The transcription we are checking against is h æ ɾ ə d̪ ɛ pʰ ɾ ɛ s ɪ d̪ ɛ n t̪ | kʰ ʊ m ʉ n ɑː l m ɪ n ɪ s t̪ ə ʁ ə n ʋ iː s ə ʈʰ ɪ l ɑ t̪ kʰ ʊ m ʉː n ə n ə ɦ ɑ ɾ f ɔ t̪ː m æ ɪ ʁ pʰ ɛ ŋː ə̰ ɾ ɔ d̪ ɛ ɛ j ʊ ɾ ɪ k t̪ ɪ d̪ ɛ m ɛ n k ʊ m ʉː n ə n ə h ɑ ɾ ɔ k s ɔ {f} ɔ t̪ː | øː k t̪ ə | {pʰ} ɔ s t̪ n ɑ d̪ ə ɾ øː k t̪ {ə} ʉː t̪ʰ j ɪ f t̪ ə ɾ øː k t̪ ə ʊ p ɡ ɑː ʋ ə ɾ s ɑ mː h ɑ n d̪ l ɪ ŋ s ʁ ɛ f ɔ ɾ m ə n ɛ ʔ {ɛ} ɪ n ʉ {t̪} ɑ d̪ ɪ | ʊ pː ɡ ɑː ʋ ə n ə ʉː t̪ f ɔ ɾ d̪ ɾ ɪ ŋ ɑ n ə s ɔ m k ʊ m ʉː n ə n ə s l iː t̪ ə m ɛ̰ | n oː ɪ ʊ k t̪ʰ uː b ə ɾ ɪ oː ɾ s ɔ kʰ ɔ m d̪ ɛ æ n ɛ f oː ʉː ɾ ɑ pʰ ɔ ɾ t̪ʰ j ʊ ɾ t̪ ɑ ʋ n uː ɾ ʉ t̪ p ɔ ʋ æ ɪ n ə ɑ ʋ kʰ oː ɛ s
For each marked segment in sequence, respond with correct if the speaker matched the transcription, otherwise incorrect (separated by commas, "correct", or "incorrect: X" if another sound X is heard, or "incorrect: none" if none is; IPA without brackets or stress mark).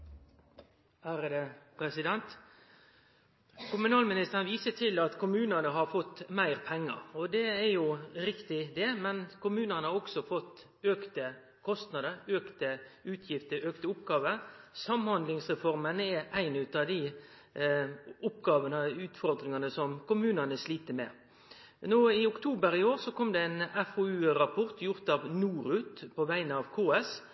correct, incorrect: kʰ, correct, incorrect: æ, correct